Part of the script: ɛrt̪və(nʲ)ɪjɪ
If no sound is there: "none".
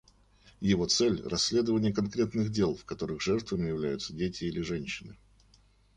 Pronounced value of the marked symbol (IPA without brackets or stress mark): mʲ